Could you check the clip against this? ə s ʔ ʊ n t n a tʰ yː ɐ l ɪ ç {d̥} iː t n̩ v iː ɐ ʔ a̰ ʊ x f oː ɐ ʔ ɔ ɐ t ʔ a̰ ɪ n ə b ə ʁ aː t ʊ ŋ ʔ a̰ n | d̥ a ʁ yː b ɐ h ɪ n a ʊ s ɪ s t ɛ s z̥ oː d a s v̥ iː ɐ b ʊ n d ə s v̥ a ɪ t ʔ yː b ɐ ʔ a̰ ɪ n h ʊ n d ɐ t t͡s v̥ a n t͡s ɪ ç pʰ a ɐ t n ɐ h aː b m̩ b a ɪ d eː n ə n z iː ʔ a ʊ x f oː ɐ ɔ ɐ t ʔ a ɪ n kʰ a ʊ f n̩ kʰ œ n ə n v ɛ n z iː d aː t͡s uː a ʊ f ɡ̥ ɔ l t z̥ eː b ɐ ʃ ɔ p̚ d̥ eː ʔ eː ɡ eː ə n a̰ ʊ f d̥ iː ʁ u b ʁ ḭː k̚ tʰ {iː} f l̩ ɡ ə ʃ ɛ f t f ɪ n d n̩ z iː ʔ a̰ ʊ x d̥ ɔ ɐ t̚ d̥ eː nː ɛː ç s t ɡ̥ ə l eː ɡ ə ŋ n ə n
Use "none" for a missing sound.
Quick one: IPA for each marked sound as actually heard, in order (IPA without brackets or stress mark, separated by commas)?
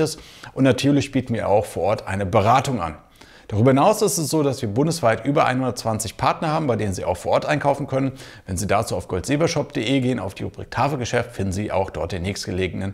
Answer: b̥, aː